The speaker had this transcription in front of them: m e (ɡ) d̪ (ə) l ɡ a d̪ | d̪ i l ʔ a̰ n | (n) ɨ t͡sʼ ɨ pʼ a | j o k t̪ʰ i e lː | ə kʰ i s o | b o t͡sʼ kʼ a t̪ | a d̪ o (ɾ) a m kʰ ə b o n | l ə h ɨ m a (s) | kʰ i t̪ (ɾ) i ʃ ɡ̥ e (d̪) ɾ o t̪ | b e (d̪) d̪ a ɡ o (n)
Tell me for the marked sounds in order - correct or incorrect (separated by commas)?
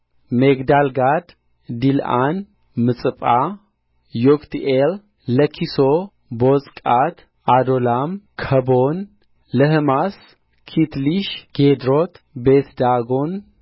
correct, incorrect, incorrect, incorrect, correct, incorrect, correct, incorrect, correct